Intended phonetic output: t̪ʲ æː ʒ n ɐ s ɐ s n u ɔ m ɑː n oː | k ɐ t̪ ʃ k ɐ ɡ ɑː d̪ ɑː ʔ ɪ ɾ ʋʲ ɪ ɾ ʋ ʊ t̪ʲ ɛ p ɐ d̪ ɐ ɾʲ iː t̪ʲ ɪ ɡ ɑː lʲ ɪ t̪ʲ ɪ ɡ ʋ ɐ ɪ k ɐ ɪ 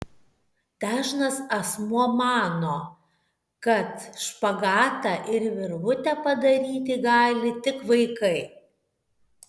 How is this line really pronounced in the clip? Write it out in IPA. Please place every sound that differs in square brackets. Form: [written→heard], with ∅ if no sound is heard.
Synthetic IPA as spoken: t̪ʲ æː ʒ n ɐ s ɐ s [n→m] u ɔ m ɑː n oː | k ɐ t̪ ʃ [k→p] ɐ ɡ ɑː [d̪→t̪] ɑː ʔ ɪ ɾ ʋʲ ɪ ɾ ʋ ʊ t̪ʲ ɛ p ɐ d̪ ɐ ɾʲ iː t̪ʲ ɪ ɡ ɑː lʲ ɪ t̪ʲ ɪ [ɡ→k] ʋ ɐ ɪ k ɐ ɪ